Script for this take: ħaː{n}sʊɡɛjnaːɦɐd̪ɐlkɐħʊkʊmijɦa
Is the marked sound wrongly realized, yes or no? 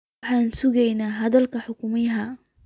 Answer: no